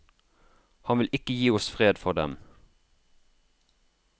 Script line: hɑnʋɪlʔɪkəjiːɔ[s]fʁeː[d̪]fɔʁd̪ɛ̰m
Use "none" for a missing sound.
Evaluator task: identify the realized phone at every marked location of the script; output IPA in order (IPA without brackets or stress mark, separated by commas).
s, d̪